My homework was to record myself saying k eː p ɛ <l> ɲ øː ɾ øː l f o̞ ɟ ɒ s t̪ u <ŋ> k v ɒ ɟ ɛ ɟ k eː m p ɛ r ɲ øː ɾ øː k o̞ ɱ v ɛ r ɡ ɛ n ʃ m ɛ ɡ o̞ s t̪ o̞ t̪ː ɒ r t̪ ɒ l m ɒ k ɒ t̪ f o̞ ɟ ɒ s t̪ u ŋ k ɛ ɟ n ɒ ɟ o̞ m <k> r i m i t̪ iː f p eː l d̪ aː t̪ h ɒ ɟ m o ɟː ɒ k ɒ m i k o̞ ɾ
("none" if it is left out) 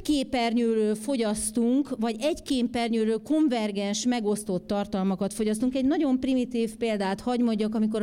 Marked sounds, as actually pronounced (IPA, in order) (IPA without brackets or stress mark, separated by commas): r, ŋ, p